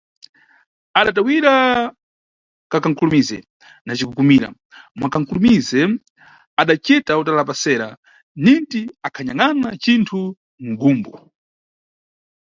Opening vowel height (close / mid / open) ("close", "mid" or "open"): open